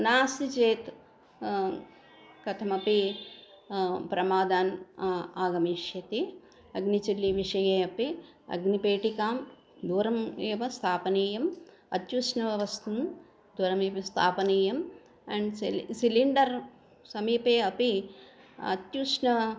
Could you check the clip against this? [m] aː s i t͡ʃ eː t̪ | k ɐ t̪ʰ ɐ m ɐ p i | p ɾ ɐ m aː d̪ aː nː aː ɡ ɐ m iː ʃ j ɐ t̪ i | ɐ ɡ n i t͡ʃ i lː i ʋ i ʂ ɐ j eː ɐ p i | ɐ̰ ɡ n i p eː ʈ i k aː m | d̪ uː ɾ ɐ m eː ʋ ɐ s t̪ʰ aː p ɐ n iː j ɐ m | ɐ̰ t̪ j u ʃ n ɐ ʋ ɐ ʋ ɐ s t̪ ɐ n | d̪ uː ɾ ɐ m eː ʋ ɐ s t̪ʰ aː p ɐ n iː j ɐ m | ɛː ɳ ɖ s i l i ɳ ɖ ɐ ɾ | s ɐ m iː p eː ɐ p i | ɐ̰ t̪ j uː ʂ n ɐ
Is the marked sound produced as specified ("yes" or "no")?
no